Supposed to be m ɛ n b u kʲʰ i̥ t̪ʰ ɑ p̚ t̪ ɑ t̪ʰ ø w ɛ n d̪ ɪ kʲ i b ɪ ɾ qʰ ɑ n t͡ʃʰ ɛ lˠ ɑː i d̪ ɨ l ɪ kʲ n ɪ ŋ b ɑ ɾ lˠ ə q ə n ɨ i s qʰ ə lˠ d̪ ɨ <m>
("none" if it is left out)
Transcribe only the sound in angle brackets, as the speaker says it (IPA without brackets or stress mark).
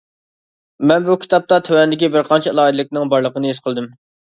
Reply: m